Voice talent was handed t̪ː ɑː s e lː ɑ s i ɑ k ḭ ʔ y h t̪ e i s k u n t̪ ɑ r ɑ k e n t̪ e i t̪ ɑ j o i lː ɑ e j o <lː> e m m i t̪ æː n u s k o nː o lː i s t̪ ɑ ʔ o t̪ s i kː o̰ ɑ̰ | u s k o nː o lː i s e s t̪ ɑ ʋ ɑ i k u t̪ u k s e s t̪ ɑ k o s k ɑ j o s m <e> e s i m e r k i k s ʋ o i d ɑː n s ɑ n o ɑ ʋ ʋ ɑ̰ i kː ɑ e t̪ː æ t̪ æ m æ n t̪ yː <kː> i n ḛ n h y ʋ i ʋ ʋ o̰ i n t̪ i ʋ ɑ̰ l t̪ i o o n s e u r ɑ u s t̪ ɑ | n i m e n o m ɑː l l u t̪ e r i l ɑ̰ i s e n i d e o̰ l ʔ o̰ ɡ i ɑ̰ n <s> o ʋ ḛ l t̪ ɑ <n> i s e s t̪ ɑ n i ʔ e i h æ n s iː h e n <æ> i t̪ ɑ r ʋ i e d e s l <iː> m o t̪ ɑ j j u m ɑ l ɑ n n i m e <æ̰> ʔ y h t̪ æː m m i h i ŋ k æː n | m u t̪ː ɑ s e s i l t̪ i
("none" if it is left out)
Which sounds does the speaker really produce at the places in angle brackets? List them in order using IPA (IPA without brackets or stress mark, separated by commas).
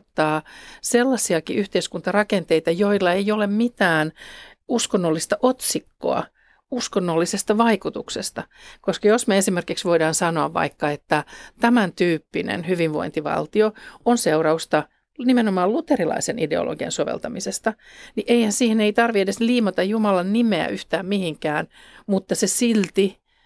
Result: l, e, pː, s, m, e, iː, æ̰